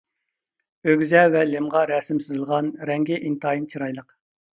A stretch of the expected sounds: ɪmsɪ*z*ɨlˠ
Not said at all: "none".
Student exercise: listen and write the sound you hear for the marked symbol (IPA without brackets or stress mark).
z